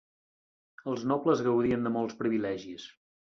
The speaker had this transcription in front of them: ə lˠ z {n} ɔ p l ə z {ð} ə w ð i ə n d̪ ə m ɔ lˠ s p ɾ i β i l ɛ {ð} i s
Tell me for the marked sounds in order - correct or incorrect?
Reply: correct, incorrect, incorrect

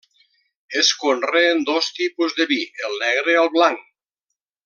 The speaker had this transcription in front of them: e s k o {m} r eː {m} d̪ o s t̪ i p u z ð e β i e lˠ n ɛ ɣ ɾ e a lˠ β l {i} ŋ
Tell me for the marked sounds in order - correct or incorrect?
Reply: incorrect, incorrect, incorrect

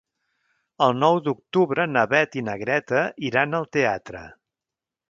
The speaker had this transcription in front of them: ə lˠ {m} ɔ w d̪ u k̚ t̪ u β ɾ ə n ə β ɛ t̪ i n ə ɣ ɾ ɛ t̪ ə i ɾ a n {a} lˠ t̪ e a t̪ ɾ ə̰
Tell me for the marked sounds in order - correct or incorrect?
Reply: incorrect, incorrect

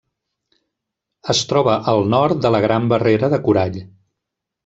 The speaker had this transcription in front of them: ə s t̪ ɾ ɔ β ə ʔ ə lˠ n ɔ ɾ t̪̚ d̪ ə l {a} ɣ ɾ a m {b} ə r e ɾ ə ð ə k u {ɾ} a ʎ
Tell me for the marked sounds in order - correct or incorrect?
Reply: incorrect, correct, correct

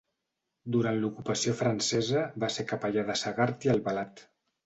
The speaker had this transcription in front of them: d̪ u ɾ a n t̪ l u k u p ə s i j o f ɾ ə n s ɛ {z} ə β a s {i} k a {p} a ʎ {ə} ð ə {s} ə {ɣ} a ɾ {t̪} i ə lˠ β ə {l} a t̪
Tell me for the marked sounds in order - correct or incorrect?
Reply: correct, incorrect, correct, incorrect, correct, correct, correct, correct

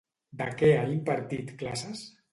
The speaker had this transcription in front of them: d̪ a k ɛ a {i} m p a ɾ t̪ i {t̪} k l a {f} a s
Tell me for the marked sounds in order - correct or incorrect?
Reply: correct, correct, incorrect

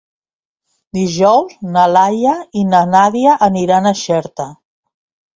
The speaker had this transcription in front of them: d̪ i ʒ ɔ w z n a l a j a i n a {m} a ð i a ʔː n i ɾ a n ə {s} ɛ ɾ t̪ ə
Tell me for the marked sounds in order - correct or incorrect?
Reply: incorrect, incorrect

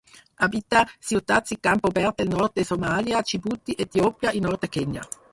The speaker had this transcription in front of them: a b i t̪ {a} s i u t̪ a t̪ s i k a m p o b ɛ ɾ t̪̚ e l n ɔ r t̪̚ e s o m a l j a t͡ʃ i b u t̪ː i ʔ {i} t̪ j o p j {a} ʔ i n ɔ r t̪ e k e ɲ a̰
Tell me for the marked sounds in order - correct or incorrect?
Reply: correct, incorrect, correct

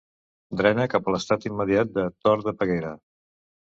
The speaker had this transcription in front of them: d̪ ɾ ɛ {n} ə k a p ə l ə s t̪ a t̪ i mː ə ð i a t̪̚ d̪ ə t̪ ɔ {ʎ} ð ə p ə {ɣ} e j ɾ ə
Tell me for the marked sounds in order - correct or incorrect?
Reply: correct, incorrect, correct

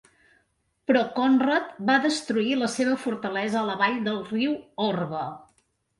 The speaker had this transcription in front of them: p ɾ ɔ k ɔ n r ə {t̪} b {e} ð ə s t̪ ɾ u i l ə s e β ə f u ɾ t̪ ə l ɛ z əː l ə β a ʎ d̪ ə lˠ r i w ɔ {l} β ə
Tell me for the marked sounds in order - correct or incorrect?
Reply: correct, incorrect, incorrect

